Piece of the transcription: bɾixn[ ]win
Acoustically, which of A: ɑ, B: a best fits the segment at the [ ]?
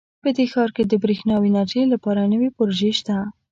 A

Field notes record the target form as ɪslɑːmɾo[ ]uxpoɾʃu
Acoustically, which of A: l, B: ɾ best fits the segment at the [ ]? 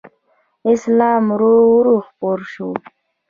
B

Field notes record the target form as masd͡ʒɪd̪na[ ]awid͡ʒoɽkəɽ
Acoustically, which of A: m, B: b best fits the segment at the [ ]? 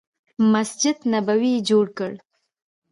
B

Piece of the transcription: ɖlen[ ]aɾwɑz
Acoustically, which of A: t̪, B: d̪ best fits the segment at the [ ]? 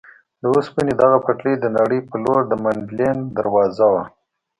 B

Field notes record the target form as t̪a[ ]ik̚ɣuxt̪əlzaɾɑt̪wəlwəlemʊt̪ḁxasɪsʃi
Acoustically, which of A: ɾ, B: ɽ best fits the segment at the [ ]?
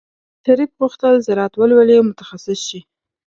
A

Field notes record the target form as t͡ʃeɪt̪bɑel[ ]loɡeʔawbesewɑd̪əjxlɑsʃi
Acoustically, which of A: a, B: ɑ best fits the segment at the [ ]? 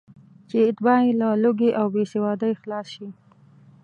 A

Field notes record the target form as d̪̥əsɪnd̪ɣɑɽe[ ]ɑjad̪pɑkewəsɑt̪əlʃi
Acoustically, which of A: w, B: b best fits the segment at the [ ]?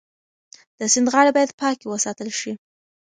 B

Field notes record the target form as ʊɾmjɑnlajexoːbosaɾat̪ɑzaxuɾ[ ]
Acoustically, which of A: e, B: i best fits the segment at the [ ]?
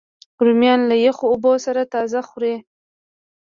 A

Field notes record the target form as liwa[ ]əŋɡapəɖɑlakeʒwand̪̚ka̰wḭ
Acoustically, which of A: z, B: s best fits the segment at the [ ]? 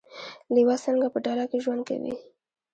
B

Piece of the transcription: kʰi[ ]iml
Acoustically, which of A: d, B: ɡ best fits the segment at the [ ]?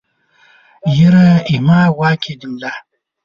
A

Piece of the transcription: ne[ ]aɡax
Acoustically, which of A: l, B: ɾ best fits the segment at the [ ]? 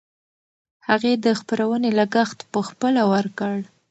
A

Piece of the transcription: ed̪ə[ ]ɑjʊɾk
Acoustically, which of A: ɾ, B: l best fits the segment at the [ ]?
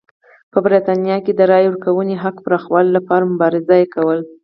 A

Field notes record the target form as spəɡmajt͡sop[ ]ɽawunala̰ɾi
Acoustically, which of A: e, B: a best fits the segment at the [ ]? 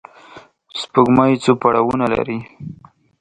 B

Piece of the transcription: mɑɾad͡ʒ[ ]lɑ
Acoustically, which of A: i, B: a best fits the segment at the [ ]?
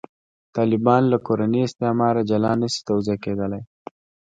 B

